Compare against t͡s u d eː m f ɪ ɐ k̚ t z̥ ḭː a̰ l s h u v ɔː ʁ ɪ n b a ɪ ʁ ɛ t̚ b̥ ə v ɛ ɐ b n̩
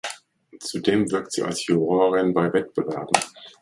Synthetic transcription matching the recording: t͡s u d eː m v ɪ ɐ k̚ t z̥ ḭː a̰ l s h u ʁ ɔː ʁ ɪ n b a ɪ v ɛ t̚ b̥ ə v ɛ ɐ b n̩